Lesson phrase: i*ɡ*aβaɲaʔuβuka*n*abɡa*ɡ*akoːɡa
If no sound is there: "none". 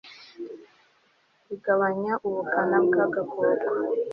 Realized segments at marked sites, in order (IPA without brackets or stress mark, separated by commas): ɡ, n, ɡ